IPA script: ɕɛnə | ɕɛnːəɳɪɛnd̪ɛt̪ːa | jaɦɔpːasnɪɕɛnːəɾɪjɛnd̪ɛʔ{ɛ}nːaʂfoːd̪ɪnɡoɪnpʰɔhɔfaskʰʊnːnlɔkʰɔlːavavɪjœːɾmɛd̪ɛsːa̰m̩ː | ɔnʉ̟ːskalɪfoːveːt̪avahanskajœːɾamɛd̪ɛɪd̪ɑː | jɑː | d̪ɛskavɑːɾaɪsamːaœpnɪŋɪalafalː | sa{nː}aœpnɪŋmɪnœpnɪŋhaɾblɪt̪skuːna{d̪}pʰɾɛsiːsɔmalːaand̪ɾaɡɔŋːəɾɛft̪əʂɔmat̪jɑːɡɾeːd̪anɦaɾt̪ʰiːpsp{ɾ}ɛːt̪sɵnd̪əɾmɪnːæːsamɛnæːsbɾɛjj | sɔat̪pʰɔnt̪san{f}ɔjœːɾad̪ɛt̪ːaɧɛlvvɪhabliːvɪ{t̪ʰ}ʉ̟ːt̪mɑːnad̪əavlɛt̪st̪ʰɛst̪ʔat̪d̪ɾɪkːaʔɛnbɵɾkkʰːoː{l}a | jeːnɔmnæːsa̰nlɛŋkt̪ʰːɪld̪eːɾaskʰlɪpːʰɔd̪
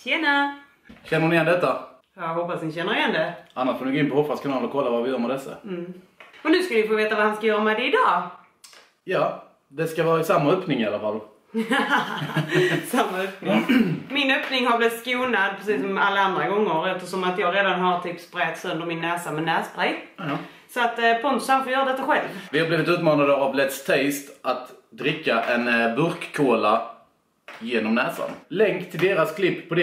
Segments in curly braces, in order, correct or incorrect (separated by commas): incorrect, incorrect, correct, correct, correct, incorrect, correct